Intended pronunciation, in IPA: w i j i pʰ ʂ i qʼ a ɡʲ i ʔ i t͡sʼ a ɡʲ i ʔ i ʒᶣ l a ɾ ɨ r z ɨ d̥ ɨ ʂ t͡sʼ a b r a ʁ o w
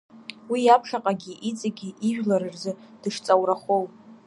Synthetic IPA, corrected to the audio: w i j a pʰ ʂ a qʼ a ɡʲ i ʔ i t͡sʼ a ɡʲ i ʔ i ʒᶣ l a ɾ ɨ r z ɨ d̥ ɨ ʂ t͡sʼ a w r a χ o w